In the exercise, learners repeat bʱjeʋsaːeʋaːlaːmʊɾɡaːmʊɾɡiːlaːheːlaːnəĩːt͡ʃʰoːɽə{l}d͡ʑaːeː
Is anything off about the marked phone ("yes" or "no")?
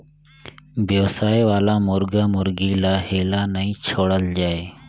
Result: no